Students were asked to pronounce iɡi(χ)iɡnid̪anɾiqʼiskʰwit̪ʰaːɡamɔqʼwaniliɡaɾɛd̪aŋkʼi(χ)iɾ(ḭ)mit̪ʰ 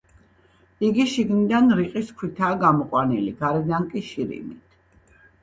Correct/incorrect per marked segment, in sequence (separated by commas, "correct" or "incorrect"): incorrect, incorrect, correct